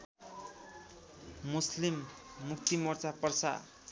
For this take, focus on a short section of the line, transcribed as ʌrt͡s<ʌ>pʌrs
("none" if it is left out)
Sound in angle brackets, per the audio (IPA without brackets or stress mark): a